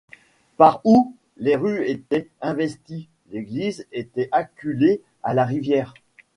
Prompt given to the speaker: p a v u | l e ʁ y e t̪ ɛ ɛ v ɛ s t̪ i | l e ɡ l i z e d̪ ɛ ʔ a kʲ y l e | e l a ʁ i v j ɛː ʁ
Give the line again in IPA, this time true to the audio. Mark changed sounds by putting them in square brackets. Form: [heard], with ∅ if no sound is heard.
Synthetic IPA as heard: p a [ʁ] u | l e ʁ y e t̪ ɛ [ɛ̃] v ɛ s t̪ i | l e ɡ l i z e [t̪] ɛ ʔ a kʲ y l e | [a] l a ʁ i v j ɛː ʁ